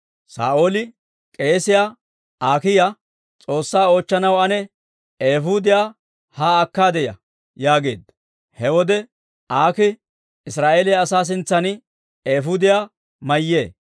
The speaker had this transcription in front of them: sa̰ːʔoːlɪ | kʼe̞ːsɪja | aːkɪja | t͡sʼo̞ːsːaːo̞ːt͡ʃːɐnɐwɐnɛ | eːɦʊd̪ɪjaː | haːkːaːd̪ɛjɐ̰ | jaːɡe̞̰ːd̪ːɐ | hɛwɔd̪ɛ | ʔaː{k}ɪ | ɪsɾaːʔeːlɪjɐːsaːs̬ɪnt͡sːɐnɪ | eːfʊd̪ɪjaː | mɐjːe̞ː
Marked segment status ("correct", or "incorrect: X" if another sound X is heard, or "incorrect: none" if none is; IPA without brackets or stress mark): correct